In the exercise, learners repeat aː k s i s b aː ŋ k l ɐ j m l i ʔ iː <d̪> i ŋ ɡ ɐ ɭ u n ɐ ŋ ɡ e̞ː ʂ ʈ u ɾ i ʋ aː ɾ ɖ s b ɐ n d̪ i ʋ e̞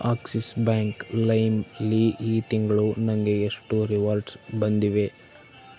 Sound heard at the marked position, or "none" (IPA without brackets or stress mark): t̪